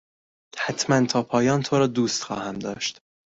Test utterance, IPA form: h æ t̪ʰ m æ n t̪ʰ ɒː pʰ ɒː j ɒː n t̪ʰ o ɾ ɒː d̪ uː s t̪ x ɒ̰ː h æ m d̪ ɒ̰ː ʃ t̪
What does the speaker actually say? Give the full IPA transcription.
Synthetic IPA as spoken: h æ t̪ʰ m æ n t̪ʰ ɒː pʰ ɒː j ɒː n t̪ʰ o ɾ ɒː d̪ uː s t̪ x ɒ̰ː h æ m d̪ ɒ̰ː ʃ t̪